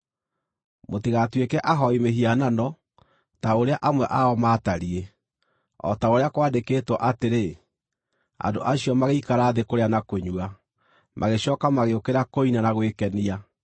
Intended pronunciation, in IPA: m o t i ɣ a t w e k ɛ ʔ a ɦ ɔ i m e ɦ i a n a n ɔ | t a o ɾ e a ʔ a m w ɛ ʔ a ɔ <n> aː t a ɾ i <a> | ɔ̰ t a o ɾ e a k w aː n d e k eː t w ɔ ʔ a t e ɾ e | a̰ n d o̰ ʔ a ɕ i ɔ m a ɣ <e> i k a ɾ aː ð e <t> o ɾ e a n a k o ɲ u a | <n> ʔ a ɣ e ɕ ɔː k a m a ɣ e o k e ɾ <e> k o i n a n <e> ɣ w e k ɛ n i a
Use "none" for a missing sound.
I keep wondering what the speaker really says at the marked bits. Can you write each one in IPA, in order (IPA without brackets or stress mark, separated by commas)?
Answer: m, e, e, k, m, a, a